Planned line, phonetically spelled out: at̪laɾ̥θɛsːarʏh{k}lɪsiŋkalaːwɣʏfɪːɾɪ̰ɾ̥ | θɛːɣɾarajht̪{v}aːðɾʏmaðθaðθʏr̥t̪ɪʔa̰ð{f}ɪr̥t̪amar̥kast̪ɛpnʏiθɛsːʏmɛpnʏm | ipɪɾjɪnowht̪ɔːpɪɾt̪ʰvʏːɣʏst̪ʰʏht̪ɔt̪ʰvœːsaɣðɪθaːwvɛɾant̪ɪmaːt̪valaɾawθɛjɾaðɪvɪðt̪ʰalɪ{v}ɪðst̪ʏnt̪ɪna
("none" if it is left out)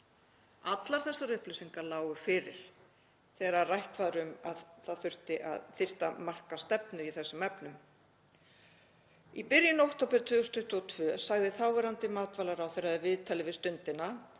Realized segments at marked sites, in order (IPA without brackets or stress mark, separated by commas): p, v, θ, v